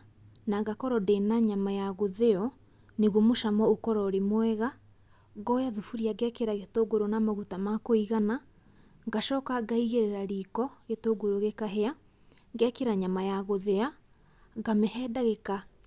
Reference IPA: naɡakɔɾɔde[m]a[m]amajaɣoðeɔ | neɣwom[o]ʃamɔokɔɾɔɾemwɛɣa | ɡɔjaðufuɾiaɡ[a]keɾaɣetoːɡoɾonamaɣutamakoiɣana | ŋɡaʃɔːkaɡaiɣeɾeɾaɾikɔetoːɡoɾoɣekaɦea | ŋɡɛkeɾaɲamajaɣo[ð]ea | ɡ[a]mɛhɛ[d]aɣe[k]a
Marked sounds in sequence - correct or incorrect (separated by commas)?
incorrect, incorrect, correct, incorrect, correct, correct, correct, correct